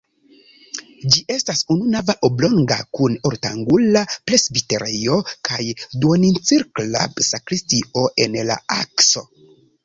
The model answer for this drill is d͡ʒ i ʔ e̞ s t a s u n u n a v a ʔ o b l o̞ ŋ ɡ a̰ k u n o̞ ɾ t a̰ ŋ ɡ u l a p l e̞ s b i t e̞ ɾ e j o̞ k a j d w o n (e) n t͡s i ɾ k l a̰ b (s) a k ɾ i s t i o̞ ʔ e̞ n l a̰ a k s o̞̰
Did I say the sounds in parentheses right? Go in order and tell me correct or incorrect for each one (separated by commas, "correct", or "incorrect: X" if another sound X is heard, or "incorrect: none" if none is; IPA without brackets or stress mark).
incorrect: i, correct